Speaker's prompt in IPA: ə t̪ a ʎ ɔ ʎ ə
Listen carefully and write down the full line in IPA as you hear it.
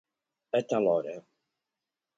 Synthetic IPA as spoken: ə t̪ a l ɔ ɾ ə